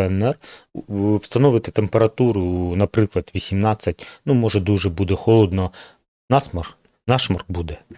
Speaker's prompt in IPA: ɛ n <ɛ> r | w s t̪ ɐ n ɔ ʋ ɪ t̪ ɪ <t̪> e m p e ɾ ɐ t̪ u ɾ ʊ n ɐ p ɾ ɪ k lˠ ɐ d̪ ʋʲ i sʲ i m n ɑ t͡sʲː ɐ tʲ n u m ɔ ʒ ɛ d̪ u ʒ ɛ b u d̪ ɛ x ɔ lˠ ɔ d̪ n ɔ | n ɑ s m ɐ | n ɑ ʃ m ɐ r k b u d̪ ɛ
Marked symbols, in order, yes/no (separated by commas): yes, yes